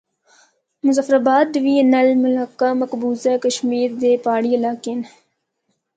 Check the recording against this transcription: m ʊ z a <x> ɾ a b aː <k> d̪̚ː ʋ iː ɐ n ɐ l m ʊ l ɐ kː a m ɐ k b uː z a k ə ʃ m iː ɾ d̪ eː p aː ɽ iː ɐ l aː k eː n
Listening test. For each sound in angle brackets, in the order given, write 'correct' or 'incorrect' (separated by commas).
incorrect, incorrect